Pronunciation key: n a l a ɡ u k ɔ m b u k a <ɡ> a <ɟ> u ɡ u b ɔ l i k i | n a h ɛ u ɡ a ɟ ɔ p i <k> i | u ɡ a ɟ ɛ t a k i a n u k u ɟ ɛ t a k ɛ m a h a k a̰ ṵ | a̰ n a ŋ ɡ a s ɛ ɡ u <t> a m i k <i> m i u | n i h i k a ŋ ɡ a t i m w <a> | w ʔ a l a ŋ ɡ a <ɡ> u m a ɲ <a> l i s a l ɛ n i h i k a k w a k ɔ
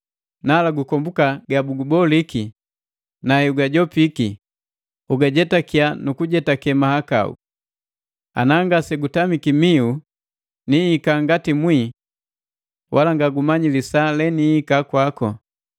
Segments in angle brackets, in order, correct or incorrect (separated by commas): correct, incorrect, correct, correct, correct, incorrect, correct, incorrect